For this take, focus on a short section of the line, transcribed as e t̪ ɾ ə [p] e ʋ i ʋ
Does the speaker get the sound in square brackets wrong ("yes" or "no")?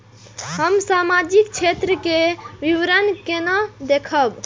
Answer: yes